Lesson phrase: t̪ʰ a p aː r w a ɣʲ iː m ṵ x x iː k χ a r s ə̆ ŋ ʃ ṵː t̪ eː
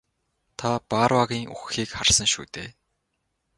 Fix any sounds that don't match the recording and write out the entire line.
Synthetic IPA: t̪ʰ a p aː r w a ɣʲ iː ŋ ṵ x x iː k χ a r s ə̆ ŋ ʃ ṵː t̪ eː